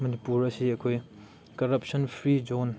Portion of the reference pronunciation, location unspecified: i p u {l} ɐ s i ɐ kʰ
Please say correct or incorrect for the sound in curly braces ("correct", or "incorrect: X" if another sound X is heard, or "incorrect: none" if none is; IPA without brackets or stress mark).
incorrect: ɾ